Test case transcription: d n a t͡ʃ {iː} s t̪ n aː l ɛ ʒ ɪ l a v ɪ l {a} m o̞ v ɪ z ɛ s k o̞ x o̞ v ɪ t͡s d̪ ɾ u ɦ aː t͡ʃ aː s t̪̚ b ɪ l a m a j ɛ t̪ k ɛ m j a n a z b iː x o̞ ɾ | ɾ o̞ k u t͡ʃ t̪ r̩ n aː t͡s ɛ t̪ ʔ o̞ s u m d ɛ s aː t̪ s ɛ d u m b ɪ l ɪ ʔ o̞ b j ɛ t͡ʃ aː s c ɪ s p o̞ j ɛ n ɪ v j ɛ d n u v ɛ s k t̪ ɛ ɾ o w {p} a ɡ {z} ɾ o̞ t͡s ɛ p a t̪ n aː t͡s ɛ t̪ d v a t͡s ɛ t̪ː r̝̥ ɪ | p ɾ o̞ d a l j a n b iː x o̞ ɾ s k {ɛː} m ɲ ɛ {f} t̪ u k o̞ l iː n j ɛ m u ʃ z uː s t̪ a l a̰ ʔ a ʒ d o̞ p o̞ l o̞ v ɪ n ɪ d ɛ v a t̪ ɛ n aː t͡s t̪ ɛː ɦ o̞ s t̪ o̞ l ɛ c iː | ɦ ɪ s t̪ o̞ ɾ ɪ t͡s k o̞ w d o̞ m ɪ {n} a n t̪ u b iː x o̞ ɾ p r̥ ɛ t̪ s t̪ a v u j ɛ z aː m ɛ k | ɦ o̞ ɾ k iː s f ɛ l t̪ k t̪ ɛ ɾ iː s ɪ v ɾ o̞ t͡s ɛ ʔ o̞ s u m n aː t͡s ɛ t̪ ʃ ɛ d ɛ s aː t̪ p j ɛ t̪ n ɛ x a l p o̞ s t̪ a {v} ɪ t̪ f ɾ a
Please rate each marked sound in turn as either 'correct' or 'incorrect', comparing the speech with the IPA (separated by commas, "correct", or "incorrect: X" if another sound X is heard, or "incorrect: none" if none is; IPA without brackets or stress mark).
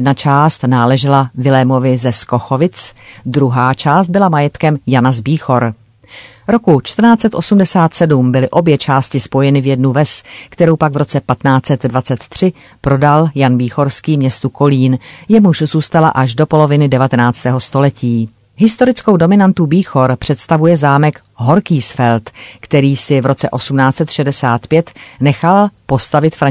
incorrect: aː, incorrect: ɛ, correct, incorrect: v, incorrect: iː, incorrect: s, correct, correct